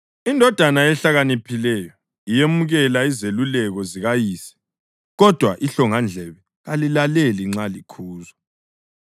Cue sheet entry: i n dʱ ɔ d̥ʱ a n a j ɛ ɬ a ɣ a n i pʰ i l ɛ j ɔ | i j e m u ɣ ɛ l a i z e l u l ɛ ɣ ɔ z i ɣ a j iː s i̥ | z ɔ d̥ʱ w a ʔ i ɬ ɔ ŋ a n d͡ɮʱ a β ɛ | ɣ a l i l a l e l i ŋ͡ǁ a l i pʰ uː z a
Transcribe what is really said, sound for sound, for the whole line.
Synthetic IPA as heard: i n dʱ ɔ d̥ʱ a n a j ɛ ɬ a ɣ a n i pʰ i l ɛ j ɔ | i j e m u ɣ ɛ l a i z e l u l ɛ ɣ ɔ z i ɣ a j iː s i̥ | ɣ ɔ d̥ʱ w a ʔ i ɬ ɔ ŋ a n d͡ɮʱ ɛ β ɛ | ɣ a l i l a l e l i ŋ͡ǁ a l i kʰ uː z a